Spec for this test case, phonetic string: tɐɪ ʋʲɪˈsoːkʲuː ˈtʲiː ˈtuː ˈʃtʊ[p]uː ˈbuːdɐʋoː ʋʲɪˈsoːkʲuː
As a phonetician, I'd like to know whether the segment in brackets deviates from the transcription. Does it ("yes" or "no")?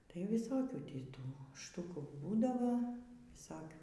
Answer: yes